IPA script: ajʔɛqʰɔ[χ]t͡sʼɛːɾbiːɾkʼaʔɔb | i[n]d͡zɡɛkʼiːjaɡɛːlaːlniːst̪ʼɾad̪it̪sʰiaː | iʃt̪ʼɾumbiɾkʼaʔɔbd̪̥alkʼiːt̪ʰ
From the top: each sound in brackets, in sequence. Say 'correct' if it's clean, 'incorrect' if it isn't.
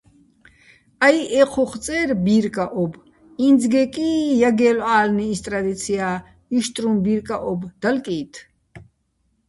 correct, correct

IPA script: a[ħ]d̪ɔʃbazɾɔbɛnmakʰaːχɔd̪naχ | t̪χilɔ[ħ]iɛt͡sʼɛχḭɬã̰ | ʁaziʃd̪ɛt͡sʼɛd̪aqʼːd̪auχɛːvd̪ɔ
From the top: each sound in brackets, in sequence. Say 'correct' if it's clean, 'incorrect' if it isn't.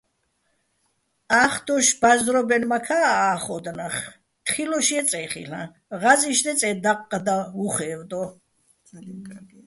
incorrect: χ, incorrect: ʃ

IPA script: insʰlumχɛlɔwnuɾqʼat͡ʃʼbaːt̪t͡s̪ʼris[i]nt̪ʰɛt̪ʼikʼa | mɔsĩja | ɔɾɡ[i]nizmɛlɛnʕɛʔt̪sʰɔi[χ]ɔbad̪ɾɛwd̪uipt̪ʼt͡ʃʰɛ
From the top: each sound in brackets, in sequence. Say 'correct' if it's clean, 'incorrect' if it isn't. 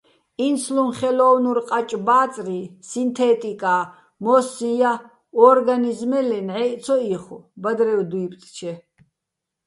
correct, incorrect: a, correct

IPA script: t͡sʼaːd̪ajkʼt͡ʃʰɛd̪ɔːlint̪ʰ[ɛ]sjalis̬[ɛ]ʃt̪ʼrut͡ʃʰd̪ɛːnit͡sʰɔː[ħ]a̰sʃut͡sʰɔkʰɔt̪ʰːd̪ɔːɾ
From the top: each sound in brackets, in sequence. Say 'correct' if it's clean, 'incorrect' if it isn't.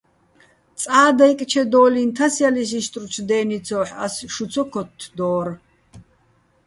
incorrect: a, incorrect: i, correct

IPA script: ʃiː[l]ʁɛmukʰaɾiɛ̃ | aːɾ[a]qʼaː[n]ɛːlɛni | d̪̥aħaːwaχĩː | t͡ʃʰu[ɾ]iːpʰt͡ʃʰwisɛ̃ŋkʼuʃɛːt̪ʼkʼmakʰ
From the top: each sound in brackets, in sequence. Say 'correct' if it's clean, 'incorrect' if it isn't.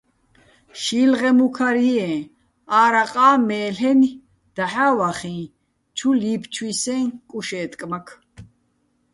correct, correct, incorrect: m, incorrect: l

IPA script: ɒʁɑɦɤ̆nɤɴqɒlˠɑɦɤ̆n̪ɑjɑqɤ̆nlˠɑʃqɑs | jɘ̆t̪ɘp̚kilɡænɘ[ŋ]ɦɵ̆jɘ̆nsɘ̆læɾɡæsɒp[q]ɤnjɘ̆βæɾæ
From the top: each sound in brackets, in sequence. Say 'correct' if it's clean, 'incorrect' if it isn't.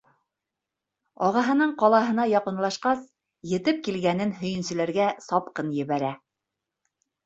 incorrect: n, correct

